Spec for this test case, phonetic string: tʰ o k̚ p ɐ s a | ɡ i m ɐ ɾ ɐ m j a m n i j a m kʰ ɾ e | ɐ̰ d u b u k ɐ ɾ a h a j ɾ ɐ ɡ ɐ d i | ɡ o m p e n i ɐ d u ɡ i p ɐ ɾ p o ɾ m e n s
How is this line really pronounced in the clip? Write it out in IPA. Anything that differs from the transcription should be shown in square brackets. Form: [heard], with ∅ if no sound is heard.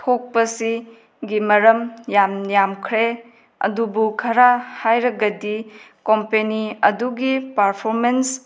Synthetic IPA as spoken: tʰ o k̚ p ɐ s [i] | ɡ i m ɐ ɾ ɐ m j a m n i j a m kʰ ɾ e | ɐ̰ d u b u [kʰ] ɐ ɾ a h a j ɾ ɐ ɡ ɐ d i | [k] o m p e n i ɐ d u ɡ i p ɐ ɾ [pʰ] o ɾ m e n s